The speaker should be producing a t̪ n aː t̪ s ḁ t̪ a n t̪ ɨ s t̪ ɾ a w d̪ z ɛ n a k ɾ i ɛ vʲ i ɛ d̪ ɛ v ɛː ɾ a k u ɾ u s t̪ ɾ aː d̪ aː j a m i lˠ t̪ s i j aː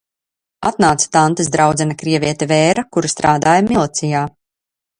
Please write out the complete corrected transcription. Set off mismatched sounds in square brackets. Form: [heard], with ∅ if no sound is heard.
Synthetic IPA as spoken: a t̪ n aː t̪ s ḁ t̪ a n t̪ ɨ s [d̪] ɾ a w d̪ z ɛ n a k ɾ i ɛ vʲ i ɛ [t̪] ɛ v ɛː ɾ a k u ɾ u s t̪ ɾ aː d̪ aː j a m i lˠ t̪ s i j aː